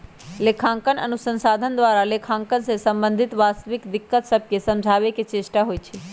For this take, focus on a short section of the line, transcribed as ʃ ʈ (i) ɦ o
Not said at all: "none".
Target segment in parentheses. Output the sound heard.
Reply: a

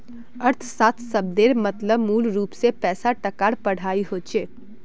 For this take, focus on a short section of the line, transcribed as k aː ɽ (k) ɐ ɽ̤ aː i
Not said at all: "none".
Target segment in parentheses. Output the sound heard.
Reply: p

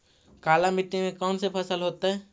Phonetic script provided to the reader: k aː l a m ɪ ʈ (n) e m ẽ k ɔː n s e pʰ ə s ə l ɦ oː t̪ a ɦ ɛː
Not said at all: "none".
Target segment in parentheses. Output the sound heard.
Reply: n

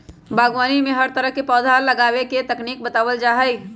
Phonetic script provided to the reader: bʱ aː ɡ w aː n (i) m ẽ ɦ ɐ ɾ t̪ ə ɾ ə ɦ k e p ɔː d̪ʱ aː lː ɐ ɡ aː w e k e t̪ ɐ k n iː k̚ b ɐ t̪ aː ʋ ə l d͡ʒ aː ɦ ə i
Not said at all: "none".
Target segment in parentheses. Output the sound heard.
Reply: i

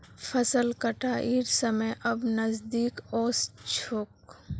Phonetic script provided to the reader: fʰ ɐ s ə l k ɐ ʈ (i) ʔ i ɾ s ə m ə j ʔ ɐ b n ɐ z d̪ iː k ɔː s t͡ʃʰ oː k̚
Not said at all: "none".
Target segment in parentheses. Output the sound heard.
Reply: a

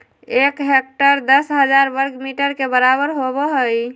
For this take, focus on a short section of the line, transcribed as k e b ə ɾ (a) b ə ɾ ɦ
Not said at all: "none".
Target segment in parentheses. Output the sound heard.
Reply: a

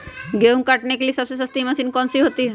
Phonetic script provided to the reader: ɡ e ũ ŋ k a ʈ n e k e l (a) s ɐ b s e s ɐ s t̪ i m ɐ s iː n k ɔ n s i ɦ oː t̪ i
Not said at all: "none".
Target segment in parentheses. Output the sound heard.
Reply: i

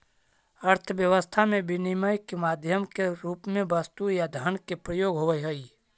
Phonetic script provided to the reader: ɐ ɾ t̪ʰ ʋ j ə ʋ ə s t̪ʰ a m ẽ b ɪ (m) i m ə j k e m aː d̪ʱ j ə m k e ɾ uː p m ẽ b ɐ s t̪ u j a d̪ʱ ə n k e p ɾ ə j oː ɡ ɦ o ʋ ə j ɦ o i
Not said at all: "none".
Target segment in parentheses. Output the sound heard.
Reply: n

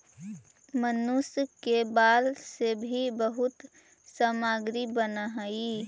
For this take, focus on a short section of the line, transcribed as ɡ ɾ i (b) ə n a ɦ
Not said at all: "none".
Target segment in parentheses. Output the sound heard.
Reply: b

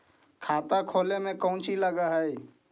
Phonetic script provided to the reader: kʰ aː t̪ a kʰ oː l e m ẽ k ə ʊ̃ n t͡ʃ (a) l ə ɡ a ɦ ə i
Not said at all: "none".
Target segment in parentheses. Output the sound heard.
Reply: i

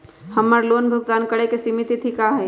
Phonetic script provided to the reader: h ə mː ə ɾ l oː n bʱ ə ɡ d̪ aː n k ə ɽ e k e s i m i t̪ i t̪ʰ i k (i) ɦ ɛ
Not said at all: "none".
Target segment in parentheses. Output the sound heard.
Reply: a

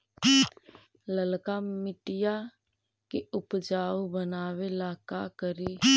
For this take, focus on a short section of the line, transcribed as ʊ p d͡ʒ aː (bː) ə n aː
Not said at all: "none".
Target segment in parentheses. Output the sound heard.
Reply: b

